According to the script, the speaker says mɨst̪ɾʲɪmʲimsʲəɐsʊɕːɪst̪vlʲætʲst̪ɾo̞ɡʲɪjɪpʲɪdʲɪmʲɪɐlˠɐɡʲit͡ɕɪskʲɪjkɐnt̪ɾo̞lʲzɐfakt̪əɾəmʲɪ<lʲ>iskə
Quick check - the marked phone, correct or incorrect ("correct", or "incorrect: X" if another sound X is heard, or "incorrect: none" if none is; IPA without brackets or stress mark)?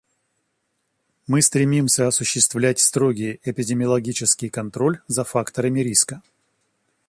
incorrect: ɾʲ